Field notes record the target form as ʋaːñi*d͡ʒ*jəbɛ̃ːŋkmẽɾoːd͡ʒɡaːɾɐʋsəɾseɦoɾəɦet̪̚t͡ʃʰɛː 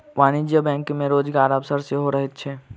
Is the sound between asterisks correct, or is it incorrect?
correct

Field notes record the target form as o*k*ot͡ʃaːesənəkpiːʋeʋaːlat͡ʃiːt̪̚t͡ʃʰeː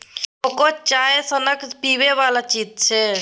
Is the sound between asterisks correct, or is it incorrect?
correct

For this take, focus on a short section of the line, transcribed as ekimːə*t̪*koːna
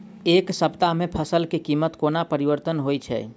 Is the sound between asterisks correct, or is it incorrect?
correct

